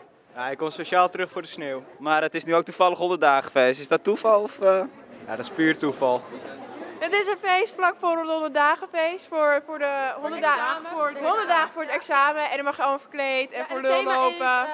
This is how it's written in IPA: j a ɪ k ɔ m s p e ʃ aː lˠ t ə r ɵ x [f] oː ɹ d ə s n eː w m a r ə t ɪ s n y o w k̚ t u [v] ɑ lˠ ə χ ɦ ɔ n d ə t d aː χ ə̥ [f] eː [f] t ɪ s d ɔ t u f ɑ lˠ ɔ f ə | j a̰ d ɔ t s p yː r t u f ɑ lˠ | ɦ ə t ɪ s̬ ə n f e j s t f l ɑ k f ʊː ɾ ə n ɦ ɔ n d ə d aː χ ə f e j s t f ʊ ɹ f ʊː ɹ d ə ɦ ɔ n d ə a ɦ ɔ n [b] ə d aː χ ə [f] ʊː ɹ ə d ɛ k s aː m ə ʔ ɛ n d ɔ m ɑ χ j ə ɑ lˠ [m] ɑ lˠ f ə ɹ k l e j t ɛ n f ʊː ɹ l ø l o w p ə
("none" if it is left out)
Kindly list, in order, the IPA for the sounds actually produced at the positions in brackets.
f, f, f, s, d, f, m

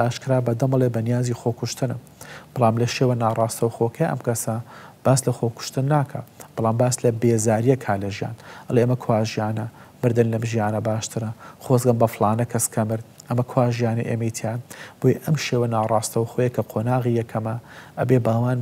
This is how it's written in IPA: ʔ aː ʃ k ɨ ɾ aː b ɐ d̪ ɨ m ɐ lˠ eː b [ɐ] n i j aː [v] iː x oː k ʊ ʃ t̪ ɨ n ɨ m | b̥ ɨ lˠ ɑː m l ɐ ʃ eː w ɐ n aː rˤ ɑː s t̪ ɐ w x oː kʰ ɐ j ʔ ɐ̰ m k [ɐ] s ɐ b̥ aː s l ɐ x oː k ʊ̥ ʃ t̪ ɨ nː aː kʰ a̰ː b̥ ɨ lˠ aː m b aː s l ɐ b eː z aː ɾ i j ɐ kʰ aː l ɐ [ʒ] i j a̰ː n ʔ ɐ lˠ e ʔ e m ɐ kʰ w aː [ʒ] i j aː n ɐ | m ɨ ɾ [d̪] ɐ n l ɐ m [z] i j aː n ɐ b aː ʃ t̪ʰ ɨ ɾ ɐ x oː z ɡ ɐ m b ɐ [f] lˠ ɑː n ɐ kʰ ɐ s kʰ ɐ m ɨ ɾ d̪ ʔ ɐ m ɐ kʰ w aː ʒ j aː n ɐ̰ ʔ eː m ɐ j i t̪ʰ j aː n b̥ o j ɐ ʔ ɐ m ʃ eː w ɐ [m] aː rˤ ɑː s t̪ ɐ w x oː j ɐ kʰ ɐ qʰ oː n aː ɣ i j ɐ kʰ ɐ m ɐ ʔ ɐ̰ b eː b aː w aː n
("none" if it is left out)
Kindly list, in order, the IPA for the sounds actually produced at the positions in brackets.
ɐ, z, ɐ, ʒ, ʒ, d̪, ʒ, f, n

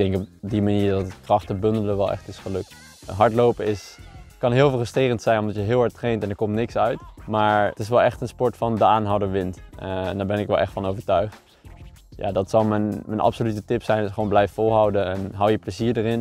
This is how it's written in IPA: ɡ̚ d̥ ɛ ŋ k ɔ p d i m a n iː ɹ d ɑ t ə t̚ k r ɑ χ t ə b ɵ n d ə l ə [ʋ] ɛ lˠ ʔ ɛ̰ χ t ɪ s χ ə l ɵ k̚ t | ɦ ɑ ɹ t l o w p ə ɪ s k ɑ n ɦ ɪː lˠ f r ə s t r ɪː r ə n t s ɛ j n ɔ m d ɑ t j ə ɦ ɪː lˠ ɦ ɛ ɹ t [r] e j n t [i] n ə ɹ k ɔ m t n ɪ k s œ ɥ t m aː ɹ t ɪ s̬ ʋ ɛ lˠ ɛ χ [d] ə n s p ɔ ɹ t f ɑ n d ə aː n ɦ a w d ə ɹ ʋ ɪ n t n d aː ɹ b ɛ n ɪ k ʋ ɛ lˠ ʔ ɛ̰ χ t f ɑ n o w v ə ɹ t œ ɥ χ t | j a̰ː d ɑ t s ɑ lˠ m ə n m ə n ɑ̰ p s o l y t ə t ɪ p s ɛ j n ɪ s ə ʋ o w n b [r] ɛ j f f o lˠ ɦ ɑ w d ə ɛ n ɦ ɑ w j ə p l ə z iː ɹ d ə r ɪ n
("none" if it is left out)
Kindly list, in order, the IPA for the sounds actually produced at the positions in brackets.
ʋ, r, ɛ, t, l

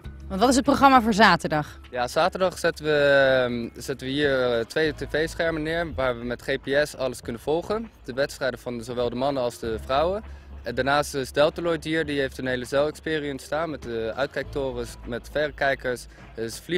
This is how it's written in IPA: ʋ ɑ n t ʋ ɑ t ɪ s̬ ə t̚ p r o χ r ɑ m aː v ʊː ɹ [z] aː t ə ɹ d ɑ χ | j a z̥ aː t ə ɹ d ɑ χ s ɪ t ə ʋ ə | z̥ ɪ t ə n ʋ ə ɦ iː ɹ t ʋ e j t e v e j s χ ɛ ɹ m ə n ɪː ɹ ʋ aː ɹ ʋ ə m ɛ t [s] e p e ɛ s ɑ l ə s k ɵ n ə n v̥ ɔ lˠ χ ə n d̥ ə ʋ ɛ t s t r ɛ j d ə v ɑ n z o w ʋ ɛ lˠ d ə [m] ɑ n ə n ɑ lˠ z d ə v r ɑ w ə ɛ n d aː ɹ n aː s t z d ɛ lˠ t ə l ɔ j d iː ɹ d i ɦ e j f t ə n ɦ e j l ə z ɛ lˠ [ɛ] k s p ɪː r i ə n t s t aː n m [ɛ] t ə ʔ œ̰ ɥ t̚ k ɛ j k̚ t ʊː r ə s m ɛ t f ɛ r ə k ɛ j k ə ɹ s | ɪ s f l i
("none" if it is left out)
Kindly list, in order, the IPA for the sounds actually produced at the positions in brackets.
z, χ, m, ɛ, ɛ

